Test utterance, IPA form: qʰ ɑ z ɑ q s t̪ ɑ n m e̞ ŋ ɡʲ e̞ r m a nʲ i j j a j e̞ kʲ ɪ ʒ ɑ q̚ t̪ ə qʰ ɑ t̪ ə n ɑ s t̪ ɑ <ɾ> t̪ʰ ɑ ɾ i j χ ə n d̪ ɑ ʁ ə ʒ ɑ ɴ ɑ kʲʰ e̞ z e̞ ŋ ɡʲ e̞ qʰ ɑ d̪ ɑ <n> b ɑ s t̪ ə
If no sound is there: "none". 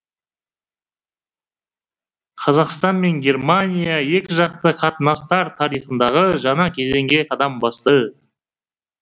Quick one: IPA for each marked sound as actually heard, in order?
ɾ, m

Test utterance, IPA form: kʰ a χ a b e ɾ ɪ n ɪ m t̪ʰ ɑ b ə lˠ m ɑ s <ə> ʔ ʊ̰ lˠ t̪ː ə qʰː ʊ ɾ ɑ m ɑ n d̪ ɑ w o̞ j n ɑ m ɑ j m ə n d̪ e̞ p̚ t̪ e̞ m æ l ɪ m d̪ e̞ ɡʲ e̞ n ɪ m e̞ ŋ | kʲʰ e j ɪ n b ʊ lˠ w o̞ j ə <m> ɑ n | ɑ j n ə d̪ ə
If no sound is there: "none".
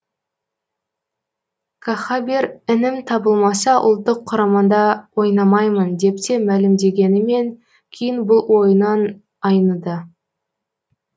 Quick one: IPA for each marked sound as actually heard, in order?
ɑ, n

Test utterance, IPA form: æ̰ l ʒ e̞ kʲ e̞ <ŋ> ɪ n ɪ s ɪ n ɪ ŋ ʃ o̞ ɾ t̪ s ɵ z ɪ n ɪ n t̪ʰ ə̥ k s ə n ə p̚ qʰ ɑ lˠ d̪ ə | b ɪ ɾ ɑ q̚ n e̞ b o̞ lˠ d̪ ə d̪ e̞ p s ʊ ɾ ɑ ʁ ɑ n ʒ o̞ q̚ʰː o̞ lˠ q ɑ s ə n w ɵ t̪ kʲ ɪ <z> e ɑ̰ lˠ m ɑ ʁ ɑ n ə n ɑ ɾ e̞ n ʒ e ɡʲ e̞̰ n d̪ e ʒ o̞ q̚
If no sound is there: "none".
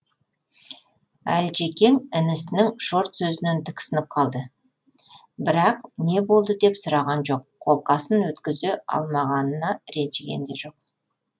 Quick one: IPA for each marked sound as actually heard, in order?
ŋ, z

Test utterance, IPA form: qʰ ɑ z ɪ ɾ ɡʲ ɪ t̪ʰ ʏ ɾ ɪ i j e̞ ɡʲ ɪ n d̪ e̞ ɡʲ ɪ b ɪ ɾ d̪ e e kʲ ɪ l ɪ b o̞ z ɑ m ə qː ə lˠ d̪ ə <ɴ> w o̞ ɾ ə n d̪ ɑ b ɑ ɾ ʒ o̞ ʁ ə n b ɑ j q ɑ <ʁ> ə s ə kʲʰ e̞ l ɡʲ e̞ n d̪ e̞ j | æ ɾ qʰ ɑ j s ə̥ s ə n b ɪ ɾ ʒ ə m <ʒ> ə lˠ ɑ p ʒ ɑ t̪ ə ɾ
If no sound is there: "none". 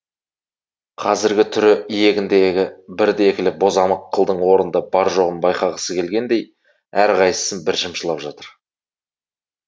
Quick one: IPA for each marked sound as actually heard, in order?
ɴ, ʁ, ʃ

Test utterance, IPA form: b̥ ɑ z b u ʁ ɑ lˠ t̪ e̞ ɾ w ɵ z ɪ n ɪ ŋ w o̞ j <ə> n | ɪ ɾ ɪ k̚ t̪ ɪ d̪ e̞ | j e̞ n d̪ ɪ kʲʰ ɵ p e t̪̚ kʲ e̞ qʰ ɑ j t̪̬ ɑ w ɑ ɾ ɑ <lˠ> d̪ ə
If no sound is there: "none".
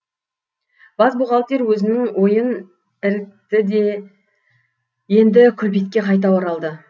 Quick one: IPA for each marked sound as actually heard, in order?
ə, lˠ

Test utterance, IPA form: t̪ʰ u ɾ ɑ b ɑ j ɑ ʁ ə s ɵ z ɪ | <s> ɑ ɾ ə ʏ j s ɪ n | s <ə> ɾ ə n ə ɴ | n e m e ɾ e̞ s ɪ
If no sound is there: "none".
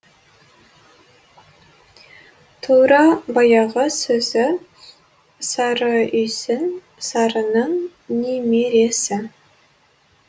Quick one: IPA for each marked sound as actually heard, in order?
s, ɑ

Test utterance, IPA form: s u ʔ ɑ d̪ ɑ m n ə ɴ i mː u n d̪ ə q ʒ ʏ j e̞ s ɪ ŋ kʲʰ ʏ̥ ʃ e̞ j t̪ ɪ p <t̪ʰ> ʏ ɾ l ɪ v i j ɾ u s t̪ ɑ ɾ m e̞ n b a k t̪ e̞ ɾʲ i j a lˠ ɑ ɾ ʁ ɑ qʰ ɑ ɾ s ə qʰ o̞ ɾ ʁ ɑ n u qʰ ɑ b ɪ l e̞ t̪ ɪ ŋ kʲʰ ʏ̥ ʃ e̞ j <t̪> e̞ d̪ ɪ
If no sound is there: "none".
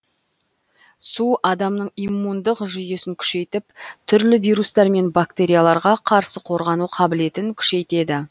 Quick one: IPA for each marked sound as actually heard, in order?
t̪ʰ, t̪

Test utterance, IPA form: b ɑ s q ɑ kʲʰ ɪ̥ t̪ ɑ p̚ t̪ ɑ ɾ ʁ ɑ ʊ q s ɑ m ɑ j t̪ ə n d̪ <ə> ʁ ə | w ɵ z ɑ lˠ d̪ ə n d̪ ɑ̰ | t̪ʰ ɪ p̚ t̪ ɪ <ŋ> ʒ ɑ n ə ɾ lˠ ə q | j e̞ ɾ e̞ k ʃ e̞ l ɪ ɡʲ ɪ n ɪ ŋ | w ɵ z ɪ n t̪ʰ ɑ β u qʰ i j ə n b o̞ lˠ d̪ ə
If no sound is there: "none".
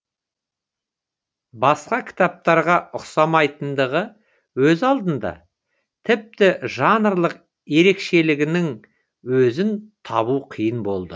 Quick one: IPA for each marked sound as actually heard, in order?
ə, none

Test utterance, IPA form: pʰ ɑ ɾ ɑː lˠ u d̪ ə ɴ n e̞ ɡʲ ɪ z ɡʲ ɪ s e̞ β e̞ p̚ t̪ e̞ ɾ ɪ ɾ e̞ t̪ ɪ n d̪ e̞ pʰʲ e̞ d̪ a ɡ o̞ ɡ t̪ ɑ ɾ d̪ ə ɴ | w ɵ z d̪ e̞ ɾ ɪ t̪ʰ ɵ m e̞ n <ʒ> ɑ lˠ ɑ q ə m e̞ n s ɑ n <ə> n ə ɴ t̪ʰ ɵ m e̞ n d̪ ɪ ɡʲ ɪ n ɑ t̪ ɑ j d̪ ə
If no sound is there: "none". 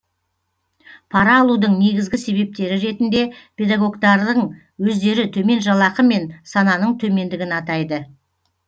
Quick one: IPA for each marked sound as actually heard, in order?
ʒ, ɑ

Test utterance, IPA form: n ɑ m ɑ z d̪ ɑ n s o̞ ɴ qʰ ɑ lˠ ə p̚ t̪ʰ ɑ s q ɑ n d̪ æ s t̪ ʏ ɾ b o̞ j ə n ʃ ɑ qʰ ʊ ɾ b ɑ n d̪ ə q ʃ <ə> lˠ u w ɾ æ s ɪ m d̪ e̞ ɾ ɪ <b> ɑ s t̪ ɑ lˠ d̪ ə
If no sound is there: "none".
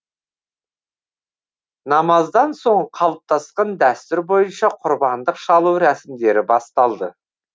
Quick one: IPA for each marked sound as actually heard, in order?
ɑ, b

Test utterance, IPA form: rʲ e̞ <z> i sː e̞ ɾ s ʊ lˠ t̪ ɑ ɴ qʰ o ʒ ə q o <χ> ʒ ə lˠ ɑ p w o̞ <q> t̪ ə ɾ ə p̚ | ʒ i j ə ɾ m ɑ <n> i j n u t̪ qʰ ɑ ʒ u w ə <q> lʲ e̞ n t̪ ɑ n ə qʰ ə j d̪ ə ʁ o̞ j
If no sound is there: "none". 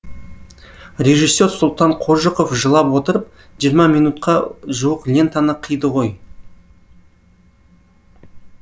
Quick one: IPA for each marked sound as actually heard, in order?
ʒ, f, none, m, q

